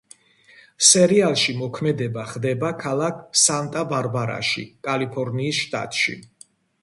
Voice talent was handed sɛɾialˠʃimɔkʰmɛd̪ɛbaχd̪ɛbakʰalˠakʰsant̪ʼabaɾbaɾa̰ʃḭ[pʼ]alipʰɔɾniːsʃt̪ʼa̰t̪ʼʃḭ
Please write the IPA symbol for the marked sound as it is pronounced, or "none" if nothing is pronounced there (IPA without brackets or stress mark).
kʼ